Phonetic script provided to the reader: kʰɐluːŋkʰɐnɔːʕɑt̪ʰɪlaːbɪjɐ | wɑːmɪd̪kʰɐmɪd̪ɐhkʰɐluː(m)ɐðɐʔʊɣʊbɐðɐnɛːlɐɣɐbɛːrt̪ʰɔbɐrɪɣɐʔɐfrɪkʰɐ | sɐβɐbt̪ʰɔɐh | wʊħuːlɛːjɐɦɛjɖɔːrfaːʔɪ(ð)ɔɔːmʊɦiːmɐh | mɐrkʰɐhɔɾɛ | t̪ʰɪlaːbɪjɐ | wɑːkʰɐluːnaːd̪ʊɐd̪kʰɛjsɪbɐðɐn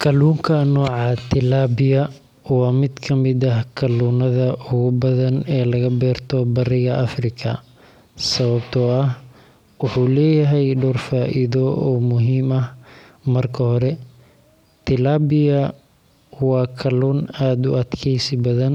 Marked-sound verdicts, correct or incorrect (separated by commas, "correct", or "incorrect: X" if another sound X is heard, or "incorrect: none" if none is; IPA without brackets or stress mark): incorrect: n, correct